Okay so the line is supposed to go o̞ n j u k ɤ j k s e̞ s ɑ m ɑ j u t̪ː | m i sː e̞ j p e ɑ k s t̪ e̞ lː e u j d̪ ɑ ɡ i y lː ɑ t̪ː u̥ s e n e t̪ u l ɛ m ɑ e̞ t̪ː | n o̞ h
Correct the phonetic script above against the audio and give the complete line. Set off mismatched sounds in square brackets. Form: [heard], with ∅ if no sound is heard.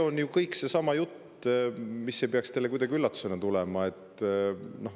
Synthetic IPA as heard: o̞ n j u k ɤ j k s e̞ s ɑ m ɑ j u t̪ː | m i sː e̞ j p e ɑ k s t̪ e̞ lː e u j d̪ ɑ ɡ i y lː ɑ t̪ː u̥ s e n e t̪ u l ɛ m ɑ e̞ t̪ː | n o̞ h